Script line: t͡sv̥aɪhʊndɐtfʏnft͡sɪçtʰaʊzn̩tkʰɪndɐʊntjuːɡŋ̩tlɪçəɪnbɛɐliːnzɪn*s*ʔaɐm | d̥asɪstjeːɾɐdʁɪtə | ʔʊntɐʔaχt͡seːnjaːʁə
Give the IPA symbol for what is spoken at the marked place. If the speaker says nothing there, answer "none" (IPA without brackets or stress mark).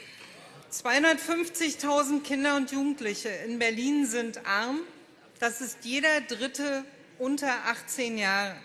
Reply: t